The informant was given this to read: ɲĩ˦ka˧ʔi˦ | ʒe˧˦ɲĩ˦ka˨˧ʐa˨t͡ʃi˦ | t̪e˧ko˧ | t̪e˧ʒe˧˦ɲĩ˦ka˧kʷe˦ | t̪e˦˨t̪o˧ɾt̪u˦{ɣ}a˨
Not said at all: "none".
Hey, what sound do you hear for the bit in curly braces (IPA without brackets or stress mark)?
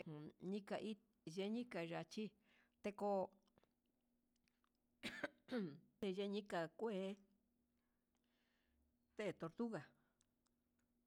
ɣ